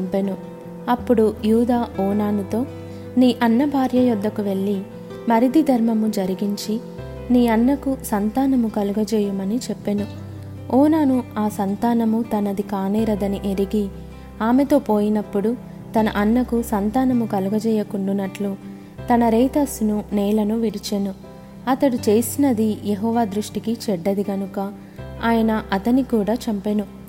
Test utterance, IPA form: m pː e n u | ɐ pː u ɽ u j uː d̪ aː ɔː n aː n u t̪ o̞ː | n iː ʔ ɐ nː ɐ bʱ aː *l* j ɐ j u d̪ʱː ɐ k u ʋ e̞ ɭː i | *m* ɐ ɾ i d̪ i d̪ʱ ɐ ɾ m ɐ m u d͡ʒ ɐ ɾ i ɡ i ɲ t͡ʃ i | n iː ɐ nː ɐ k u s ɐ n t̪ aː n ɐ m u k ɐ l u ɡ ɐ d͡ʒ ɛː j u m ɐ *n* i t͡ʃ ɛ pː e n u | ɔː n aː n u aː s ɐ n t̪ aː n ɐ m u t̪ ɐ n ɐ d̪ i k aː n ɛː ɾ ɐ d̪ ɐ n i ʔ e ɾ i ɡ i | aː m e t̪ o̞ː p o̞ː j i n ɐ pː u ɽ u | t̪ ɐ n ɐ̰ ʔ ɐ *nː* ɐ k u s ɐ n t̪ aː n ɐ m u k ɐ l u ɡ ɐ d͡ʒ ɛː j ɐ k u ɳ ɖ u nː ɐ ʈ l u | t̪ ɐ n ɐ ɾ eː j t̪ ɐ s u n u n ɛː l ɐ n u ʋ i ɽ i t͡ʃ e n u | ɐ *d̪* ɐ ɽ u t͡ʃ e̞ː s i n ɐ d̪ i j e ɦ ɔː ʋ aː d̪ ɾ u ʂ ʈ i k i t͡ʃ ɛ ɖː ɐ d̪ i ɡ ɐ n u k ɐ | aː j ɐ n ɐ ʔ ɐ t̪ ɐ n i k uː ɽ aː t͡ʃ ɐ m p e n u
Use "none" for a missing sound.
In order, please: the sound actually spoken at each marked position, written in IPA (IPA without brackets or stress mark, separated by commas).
ɾ, m, n, nː, t̪